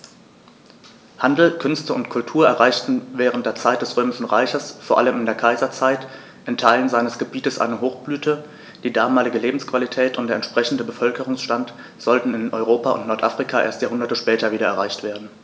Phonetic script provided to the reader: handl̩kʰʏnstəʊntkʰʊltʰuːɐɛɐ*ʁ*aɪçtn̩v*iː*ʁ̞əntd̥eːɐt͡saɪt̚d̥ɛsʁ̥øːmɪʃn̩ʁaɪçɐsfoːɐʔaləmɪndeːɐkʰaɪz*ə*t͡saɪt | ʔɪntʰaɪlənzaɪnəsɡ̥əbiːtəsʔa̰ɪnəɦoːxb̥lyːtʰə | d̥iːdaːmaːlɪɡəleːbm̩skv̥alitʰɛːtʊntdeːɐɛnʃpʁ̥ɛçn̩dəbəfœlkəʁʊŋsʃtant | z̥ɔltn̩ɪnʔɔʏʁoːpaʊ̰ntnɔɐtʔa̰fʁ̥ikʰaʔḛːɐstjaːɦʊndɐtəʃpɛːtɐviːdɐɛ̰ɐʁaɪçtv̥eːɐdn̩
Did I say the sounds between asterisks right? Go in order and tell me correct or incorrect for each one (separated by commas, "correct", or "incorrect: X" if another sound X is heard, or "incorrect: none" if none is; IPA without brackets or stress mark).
correct, incorrect: ɛː, incorrect: ɐ